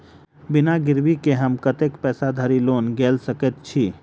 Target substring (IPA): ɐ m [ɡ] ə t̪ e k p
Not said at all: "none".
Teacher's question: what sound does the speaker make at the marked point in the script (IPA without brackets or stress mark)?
k